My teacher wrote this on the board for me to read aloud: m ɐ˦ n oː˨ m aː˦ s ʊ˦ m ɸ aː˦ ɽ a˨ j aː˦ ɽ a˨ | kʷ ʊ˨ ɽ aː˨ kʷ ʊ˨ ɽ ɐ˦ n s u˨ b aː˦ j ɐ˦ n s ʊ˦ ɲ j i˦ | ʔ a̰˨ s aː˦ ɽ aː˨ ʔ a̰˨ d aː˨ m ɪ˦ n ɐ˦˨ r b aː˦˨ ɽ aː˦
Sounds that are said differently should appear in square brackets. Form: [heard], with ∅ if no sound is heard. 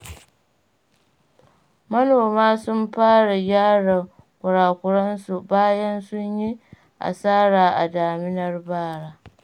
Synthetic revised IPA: m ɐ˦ n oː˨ m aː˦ s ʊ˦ m ɸ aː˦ ɽ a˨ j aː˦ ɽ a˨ | kʷ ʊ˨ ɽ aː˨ kʷ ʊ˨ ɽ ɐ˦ n s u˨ b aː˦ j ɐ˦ n s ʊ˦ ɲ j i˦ | ʔ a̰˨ s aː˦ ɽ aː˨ ʔ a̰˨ d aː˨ m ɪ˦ n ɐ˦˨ r b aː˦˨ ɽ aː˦

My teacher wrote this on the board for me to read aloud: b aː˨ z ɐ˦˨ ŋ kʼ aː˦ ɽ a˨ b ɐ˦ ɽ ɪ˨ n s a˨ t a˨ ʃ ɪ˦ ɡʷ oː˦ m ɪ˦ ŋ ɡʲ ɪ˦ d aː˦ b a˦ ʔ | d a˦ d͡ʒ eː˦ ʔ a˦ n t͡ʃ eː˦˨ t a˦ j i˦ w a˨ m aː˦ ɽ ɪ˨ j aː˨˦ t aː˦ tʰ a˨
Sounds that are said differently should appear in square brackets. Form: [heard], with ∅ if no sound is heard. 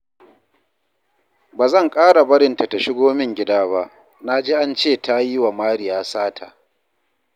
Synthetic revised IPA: b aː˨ z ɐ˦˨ ŋ kʼ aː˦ ɽ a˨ b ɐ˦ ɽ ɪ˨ n [t] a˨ t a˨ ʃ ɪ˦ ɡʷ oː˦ m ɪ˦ ŋ ɡʲ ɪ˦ d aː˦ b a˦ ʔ | [n] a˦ d͡ʒ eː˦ ʔ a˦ n t͡ʃ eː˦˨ t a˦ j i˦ w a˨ m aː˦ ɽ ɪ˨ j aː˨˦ [s] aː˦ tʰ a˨

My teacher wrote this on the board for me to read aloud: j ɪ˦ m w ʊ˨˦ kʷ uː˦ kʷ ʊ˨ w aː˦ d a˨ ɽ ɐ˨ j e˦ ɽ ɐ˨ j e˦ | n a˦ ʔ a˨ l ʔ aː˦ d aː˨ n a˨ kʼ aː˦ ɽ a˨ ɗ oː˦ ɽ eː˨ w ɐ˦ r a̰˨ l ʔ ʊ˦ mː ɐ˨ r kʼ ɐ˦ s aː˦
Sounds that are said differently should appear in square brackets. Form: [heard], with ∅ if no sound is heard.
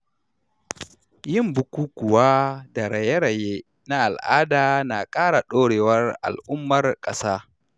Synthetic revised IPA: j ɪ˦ m [b] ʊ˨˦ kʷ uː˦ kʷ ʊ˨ w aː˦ d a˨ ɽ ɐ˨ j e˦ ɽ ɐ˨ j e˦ | n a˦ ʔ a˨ l ʔ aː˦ d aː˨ n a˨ kʼ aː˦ ɽ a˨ ɗ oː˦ ɽ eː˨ w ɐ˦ r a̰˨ l ʔ ʊ˦ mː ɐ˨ r kʼ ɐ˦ s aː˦

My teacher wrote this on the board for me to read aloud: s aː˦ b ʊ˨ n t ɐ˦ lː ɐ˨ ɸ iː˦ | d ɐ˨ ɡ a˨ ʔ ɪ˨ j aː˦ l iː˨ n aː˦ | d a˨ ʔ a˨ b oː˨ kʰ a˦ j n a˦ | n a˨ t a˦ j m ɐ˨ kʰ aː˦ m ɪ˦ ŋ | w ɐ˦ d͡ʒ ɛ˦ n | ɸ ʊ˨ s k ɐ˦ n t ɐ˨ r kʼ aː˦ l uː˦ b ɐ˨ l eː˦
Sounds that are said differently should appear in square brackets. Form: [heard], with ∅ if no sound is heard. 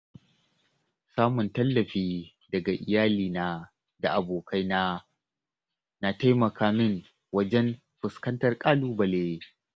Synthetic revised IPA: s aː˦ [m] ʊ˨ n t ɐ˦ lː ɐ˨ ɸ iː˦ | d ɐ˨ ɡ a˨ ʔ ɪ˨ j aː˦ l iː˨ n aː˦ | d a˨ ʔ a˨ b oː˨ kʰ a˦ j n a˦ | n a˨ t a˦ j m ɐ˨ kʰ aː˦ m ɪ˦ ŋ | w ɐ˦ d͡ʒ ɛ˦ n | ɸ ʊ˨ s k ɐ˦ n t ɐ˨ r kʼ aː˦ l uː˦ b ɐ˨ l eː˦

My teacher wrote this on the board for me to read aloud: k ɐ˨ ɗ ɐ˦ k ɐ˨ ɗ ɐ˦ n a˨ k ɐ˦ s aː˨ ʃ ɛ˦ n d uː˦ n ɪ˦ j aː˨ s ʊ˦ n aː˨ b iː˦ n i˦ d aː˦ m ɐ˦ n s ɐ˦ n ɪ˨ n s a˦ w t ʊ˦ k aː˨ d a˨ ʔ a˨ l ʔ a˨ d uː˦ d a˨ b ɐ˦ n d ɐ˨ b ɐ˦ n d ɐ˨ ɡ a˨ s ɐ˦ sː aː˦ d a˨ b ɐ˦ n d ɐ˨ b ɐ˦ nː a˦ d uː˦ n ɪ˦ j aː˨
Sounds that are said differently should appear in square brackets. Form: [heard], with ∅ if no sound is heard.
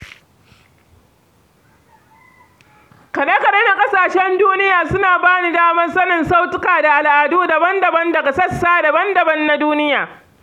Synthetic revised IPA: k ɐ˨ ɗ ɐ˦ k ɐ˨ ɗ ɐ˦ n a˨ [kʼ] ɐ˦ s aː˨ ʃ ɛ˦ n d uː˦ n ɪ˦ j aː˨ s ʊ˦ n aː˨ b [aː˦] n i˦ d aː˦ m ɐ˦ n s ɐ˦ n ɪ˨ n s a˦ w t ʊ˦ k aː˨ d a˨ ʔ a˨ l ʔ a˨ d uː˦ d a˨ b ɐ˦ n d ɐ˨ b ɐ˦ n d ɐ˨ ɡ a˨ s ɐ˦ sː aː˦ d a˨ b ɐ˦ n d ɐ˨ b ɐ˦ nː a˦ d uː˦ n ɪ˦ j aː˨

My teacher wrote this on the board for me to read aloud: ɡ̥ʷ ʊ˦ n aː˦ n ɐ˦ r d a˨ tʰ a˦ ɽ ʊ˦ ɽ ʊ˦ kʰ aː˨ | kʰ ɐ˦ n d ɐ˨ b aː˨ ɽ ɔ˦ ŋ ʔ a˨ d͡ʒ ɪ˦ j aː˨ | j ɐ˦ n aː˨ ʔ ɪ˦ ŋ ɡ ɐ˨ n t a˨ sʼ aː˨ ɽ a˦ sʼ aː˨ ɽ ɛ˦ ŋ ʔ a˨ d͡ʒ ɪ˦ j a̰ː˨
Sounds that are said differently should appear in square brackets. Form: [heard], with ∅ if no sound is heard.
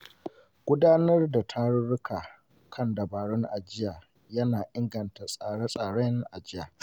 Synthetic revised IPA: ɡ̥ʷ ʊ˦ [d] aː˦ n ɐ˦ r d a˨ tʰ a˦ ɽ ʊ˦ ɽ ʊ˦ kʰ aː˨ | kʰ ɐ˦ n d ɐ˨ b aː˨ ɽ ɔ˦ ŋ ʔ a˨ d͡ʒ ɪ˦ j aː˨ | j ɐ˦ n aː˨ ʔ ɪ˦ ŋ ɡ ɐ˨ n t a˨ sʼ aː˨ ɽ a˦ sʼ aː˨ ɽ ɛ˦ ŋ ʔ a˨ d͡ʒ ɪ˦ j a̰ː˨

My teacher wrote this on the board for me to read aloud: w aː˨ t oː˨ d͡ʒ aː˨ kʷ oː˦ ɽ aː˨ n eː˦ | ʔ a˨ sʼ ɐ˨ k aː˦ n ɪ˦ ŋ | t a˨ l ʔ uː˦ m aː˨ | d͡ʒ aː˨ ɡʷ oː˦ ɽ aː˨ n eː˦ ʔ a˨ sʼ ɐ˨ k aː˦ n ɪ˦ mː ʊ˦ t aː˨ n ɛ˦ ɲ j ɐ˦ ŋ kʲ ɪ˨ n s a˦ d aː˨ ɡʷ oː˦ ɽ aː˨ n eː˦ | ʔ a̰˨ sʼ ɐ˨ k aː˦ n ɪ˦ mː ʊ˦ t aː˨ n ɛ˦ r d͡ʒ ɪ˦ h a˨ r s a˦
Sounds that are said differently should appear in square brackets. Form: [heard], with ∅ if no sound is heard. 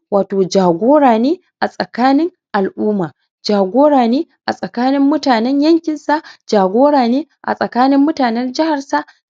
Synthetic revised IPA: w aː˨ t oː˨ d͡ʒ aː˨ [ɡʷ] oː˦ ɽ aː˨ n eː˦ | ʔ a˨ sʼ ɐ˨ k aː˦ n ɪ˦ ŋ | [ʔ] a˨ l ʔ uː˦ m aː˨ | d͡ʒ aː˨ ɡʷ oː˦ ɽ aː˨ n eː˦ ʔ a˨ sʼ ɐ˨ k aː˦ n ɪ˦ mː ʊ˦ t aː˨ n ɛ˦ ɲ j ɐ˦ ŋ kʲ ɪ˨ n s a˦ [d͡ʒ] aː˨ ɡʷ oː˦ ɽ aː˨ n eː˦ | ʔ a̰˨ sʼ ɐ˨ k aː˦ n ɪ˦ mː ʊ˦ t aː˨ n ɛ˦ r d͡ʒ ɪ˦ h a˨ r s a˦

